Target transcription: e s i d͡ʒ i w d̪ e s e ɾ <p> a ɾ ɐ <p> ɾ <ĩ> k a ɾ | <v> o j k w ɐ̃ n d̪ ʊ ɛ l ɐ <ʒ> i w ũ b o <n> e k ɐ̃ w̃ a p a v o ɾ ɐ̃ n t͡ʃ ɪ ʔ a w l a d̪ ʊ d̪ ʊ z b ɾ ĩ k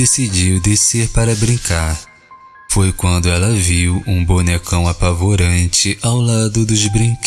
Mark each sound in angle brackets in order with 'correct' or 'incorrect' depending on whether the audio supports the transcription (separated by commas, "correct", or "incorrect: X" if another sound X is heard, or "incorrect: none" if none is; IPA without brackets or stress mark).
correct, incorrect: b, correct, incorrect: f, incorrect: v, correct